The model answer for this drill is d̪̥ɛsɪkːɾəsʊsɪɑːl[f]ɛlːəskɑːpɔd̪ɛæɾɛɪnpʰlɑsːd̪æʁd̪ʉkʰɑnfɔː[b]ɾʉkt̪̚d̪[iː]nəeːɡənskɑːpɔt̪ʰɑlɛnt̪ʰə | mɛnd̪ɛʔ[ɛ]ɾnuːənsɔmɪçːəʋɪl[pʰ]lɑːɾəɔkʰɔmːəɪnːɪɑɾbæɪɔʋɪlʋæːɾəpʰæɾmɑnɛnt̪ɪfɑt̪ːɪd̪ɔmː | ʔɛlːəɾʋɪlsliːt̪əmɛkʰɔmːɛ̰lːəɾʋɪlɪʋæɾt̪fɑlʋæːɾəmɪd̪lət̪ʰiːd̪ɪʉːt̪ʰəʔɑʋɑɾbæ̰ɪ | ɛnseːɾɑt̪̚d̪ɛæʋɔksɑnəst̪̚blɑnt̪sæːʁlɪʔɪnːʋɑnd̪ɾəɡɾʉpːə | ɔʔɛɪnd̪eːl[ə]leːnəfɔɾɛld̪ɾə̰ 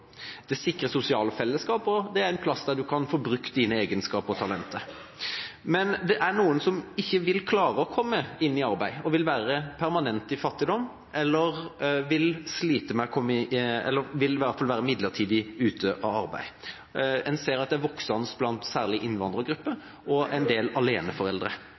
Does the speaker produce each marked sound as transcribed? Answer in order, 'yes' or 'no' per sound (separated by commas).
yes, yes, yes, no, no, no